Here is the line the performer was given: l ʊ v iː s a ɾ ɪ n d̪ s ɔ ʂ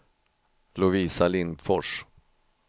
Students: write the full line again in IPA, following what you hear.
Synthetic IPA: l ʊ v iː s a l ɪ n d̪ f ɔ ʂ